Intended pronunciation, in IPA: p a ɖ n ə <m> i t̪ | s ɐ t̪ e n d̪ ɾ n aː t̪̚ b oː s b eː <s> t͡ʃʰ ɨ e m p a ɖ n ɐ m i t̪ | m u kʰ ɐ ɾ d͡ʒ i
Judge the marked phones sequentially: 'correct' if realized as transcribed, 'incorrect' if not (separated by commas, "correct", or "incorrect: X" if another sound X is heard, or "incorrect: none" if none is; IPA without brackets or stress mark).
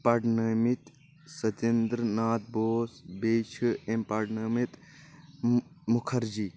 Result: correct, incorrect: none